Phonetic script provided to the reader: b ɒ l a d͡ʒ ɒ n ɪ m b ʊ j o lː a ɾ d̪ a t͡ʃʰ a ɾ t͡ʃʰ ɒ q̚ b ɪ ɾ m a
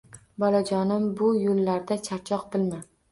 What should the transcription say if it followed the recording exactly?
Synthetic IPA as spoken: b ɒ l a d͡ʒ ɒ n ɪ m b ʊ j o lː a ɾ d̪ a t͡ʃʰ a ɾ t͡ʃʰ ɒ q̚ b ɪ l m a